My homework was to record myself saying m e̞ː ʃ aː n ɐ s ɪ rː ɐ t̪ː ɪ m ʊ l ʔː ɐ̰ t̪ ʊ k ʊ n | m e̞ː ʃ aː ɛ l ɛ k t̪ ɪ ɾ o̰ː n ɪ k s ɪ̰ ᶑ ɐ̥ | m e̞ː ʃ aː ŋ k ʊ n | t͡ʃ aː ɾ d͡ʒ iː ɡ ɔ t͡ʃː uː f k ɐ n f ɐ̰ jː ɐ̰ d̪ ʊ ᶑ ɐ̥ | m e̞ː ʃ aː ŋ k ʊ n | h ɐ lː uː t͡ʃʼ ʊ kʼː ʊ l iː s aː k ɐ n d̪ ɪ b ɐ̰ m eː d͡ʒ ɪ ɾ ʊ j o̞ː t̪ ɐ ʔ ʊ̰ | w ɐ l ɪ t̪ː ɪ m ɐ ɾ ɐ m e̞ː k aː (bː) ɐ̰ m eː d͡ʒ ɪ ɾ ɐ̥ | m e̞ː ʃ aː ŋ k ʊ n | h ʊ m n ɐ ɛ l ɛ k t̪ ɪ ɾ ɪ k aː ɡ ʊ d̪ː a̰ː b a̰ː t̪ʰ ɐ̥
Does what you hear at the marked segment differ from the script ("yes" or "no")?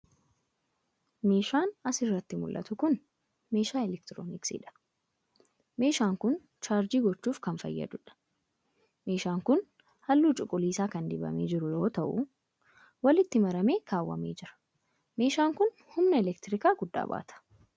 yes